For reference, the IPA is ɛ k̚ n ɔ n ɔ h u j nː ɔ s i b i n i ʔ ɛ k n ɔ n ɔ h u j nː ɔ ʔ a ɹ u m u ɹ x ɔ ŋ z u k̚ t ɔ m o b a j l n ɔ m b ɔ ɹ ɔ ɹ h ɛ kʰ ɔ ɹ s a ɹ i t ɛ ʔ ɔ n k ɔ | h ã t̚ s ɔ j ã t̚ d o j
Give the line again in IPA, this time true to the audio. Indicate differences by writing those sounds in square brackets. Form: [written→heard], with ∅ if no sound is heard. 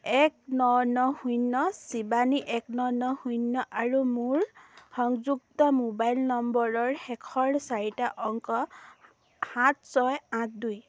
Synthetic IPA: ɛ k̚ n ɔ n ɔ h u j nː ɔ s i b [i→a] n i ʔ ɛ k n ɔ n ɔ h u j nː ɔ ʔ a ɹ u m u ɹ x ɔ ŋ z u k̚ t ɔ m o b a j l n ɔ m b ɔ ɹ ɔ ɹ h ɛ kʰ ɔ ɹ s a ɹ i t [ɛ→a] ʔ ɔ [n→ŋ] k ɔ | h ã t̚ s ɔ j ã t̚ d [o→u] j